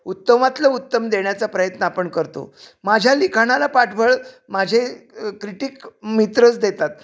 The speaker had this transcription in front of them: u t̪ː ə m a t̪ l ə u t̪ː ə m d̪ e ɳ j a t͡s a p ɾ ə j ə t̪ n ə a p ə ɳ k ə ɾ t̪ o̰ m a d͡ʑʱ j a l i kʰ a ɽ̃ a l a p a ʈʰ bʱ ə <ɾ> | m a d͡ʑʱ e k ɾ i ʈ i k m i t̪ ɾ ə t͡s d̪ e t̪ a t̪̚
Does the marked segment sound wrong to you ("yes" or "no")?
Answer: yes